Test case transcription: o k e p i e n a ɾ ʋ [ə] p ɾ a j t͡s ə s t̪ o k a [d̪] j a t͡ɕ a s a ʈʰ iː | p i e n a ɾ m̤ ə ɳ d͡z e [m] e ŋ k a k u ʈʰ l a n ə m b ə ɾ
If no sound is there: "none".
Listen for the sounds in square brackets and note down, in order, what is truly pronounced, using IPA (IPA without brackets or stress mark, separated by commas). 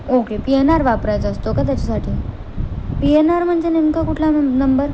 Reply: a, t̪, n